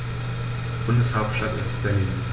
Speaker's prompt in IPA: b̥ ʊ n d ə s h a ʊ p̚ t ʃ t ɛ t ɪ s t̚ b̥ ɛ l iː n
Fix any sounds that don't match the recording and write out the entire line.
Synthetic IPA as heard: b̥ ʊ n d ə s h a ʊ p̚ t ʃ t a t ɪ s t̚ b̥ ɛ l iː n